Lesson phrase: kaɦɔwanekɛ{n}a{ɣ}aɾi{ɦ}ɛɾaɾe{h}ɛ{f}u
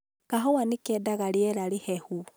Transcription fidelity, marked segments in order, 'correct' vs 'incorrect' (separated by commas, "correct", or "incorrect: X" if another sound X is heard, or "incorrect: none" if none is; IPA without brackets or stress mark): incorrect: d, correct, incorrect: none, correct, incorrect: h